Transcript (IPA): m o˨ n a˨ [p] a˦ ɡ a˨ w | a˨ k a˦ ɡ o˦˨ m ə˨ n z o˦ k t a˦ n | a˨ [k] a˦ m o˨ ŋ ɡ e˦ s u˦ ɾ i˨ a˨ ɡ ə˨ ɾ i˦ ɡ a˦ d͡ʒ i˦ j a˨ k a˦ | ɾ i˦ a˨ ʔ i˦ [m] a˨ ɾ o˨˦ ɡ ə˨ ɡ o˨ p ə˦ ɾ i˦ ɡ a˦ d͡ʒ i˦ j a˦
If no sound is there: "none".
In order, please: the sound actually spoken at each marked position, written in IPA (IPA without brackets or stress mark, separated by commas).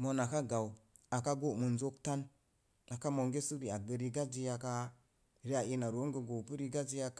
k, k, n